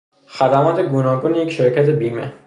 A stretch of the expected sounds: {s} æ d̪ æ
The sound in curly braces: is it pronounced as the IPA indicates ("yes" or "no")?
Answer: no